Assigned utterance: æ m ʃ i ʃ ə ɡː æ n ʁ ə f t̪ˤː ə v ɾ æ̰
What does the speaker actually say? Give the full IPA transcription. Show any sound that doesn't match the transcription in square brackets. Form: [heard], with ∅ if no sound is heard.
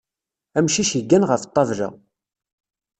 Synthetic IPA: æ m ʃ i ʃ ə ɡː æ n ʁ ə f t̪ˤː [ɑ] v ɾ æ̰